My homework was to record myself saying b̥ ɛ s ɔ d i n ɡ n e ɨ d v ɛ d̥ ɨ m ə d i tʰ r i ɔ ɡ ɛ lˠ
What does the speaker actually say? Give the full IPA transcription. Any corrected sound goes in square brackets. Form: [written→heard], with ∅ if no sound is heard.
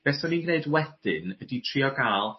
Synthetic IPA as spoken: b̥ ɛ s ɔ [d→n] i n ɡ n e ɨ d [v→w] ɛ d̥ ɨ [m→n] ə d i tʰ r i ɔ ɡ [ɛ→a] lˠ